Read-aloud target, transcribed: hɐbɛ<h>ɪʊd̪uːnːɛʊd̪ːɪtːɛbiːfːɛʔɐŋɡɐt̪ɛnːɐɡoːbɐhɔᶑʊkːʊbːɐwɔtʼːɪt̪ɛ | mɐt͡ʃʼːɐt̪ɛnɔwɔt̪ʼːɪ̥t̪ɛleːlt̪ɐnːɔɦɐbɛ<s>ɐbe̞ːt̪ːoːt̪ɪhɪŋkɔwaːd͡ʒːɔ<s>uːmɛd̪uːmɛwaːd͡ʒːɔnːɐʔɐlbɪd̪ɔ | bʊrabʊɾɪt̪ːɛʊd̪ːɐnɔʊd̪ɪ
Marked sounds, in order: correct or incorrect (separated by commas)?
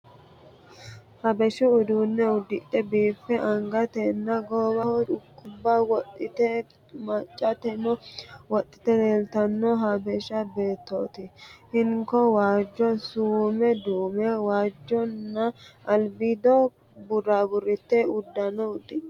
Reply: incorrect, incorrect, correct